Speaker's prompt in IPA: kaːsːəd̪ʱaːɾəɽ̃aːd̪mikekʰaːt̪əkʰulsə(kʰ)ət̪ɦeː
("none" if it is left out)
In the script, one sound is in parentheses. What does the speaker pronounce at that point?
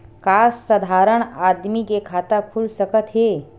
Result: k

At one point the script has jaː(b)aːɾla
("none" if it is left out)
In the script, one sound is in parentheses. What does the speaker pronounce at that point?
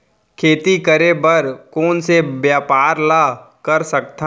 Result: p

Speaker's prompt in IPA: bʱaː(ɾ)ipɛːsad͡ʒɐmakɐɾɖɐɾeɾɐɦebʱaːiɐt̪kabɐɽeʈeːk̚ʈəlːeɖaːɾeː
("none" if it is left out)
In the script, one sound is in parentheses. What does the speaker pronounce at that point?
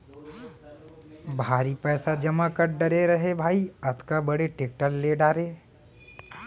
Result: ɾ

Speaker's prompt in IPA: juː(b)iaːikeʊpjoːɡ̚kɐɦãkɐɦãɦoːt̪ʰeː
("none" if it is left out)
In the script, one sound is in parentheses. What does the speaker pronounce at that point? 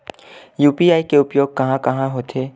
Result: p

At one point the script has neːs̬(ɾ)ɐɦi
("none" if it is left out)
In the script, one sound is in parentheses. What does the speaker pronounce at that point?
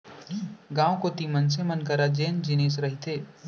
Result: ɾ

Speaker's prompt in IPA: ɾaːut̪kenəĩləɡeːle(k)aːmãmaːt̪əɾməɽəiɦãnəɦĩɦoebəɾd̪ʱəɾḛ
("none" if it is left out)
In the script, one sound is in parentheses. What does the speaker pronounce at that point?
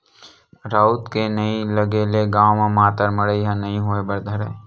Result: ɡ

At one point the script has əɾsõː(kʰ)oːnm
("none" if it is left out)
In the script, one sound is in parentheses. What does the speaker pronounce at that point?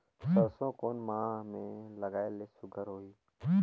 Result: k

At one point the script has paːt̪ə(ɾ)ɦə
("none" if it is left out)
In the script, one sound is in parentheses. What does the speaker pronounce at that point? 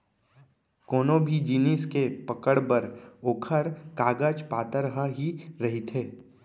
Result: ɾ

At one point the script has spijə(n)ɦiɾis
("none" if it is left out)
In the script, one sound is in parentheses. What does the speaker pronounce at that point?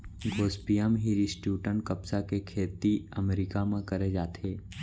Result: m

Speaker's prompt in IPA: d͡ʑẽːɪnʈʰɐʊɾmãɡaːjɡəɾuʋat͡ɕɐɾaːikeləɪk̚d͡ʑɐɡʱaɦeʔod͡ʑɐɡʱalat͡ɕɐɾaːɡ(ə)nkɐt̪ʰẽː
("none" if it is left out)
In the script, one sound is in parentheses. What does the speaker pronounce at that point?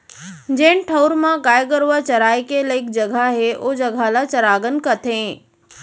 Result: ə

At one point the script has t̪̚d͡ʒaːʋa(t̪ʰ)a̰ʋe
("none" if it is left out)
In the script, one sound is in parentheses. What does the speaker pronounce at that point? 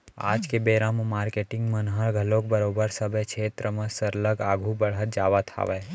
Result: t̪ʰ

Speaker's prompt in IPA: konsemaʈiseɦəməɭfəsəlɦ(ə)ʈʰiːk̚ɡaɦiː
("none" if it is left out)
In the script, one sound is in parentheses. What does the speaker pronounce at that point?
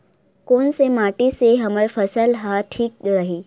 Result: a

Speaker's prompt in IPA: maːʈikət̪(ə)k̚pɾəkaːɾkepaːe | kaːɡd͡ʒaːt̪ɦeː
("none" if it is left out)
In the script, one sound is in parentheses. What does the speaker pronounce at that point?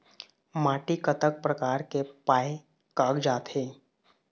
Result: ə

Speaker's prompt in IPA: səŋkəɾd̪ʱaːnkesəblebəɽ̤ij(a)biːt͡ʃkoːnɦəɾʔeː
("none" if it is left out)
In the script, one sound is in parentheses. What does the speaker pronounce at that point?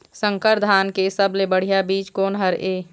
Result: a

